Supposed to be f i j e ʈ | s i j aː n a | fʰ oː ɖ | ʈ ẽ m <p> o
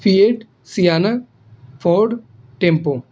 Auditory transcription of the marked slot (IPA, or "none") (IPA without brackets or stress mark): p